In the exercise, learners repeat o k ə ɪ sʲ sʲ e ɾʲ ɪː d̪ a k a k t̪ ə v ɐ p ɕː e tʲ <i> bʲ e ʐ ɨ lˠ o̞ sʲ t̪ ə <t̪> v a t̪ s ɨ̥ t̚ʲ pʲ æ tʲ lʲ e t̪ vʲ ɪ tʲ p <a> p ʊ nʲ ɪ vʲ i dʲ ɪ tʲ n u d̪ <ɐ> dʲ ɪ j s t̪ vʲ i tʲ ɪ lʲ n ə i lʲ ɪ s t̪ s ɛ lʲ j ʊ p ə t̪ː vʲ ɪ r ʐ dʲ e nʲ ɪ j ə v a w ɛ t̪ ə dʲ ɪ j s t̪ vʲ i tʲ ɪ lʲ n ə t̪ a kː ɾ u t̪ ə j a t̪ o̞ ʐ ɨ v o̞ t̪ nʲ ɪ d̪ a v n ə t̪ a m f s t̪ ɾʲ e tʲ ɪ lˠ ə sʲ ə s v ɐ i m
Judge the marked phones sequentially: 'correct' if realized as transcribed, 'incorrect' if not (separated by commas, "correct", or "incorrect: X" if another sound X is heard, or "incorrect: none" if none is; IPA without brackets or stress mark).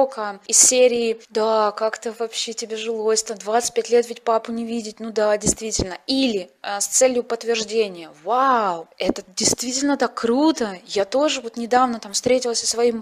incorrect: ɪ, incorrect: d̪, correct, incorrect: a